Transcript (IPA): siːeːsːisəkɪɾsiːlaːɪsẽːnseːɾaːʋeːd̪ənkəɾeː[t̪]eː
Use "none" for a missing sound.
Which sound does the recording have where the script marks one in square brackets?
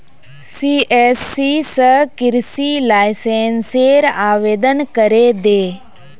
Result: d̪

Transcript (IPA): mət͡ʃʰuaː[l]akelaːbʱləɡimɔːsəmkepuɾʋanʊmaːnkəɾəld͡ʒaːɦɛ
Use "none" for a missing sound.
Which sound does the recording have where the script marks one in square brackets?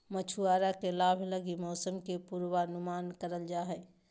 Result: ɾ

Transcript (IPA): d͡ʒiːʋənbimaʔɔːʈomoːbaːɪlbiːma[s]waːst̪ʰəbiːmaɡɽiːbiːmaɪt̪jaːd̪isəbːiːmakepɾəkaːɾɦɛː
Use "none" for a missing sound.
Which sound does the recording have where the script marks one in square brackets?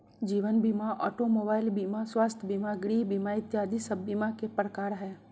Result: s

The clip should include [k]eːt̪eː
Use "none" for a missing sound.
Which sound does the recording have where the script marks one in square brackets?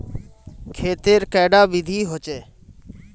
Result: kʰ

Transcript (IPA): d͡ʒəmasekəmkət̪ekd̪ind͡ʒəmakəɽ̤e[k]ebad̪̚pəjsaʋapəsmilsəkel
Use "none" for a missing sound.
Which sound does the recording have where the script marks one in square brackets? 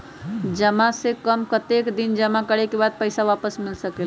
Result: k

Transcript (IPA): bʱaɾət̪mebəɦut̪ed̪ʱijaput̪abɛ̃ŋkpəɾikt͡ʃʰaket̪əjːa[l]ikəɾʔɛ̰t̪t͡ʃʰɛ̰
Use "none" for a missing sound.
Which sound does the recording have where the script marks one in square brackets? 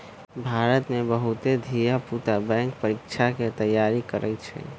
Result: ɾ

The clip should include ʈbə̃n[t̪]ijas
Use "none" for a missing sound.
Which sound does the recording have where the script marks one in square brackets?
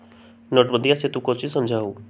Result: d̪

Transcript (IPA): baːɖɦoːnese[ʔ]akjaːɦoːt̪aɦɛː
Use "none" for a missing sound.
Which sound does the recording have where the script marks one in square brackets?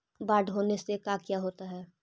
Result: k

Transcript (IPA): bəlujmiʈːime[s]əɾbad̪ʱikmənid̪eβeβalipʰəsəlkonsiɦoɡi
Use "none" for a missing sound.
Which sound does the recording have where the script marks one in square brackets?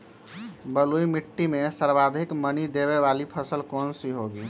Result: s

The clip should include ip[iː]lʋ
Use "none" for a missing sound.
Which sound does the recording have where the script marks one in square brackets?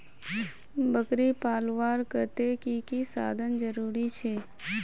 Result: aː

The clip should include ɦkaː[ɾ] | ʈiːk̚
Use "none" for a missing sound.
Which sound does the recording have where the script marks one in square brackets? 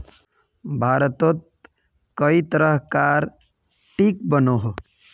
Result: ɾ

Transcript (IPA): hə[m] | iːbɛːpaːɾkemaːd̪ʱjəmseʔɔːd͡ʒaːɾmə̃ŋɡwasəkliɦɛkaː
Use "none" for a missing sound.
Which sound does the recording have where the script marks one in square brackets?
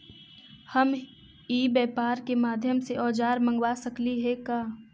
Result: m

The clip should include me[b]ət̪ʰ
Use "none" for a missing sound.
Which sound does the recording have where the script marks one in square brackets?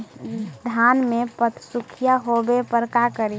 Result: p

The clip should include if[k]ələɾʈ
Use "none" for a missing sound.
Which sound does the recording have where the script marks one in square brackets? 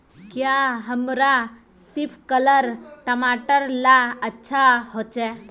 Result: k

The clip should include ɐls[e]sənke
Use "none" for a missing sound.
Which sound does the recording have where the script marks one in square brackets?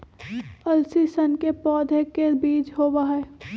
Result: i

